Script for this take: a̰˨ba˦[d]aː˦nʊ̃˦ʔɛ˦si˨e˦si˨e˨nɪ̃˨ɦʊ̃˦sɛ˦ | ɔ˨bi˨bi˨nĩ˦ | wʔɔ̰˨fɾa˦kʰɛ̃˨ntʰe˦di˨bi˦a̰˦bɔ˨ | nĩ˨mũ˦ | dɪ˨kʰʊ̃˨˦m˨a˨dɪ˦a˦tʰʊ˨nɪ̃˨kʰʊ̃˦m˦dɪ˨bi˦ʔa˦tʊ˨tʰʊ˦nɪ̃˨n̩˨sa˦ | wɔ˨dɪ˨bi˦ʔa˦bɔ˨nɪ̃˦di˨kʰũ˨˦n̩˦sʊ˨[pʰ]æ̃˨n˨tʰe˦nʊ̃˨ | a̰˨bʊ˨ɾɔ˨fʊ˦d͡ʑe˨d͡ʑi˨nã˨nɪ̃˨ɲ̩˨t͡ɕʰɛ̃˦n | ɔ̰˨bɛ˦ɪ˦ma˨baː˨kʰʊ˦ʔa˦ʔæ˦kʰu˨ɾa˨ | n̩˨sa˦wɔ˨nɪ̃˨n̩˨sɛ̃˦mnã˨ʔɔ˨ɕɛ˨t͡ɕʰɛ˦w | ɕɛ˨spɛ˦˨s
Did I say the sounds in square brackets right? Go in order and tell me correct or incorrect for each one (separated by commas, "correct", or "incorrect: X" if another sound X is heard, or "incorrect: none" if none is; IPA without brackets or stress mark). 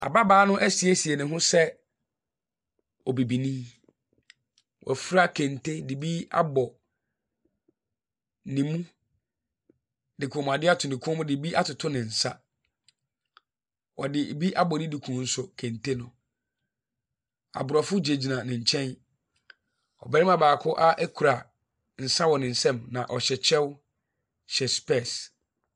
incorrect: b, incorrect: kʰ